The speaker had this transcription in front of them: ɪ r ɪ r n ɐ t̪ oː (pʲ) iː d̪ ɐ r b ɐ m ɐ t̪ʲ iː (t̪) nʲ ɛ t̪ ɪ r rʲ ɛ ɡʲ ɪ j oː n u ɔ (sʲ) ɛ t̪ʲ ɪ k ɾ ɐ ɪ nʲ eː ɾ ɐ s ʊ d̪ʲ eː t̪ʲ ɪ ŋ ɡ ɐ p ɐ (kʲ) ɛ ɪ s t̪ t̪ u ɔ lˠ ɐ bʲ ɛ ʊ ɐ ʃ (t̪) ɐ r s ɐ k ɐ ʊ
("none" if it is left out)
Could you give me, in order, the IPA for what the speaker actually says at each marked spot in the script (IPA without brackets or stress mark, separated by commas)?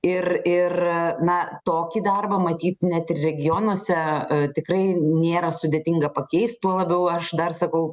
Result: kʲ, t̪, sʲ, kʲ, d̪